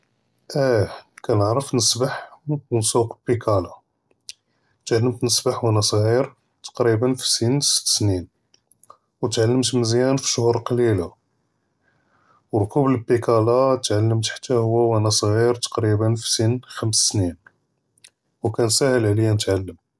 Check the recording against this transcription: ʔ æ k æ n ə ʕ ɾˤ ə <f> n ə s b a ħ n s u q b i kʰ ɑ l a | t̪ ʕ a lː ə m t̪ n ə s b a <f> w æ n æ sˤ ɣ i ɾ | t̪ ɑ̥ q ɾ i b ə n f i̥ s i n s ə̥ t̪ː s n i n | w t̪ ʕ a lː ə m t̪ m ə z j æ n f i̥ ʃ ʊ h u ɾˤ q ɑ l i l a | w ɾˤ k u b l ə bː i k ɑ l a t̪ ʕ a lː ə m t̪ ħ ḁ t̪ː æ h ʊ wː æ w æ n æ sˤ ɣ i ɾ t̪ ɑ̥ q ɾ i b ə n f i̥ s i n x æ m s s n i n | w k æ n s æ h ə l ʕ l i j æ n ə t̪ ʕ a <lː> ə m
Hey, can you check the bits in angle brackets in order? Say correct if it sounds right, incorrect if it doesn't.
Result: correct, incorrect, correct

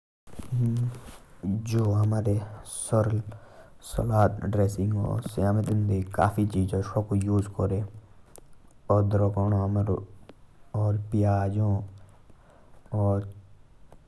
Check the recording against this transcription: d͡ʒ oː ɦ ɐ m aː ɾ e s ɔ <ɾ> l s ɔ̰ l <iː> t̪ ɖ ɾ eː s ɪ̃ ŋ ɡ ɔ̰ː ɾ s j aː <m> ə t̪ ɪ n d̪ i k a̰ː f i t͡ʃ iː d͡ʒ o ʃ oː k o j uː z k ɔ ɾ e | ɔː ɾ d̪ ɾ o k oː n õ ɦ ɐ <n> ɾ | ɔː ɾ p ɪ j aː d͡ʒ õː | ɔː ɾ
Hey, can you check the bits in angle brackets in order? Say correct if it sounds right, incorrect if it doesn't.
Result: correct, incorrect, correct, incorrect

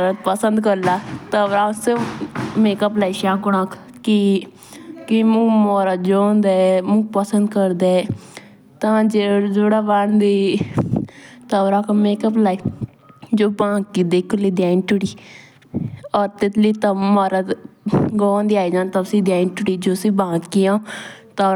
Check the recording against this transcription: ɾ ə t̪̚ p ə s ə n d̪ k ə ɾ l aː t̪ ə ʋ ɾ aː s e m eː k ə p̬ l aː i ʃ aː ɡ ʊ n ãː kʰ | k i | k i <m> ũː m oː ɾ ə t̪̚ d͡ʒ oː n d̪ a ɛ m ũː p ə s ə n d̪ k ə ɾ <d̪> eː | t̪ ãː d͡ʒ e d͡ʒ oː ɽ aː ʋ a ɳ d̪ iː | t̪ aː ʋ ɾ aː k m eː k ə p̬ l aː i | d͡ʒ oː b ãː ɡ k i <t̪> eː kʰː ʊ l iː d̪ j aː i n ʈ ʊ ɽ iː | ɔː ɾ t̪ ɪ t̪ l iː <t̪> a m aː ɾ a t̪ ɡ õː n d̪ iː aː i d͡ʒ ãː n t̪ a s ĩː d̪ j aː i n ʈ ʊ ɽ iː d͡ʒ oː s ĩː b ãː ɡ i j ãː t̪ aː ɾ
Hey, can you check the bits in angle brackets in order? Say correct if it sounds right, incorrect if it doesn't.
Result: correct, correct, incorrect, correct

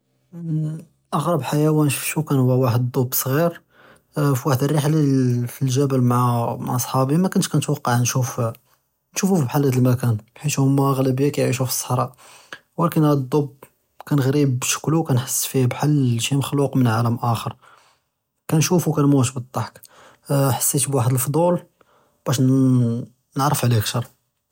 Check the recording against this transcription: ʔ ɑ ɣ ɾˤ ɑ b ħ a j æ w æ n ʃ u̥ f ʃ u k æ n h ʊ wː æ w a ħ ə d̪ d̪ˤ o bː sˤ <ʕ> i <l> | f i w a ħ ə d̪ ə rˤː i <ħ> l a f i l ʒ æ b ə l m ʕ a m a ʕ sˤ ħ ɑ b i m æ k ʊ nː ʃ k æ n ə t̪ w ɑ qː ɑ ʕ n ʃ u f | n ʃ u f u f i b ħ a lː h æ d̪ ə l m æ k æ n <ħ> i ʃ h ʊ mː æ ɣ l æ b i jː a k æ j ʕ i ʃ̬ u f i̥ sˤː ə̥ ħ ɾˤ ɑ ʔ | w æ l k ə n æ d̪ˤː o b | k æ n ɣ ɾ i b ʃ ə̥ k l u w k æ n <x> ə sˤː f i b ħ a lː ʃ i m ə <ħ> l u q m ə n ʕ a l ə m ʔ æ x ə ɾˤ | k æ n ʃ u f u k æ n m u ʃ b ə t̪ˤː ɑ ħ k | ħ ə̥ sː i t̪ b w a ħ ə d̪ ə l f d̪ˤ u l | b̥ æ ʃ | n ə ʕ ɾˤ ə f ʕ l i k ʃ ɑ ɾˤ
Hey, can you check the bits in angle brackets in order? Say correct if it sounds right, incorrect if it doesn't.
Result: incorrect, incorrect, correct, correct, incorrect, incorrect

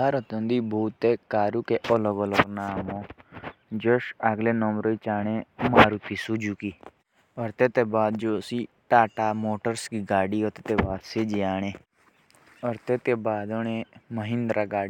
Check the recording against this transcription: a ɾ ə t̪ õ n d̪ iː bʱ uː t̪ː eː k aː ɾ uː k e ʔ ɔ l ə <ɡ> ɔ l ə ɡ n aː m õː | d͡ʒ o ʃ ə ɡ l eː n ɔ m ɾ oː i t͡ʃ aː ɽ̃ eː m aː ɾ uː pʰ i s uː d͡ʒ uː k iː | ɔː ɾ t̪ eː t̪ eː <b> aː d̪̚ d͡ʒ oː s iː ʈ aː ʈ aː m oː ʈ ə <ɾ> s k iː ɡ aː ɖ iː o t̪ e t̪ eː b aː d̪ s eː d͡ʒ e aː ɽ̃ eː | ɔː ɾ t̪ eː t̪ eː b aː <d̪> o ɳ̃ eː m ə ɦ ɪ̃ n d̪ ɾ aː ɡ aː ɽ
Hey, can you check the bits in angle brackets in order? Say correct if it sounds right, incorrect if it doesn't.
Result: correct, correct, correct, correct

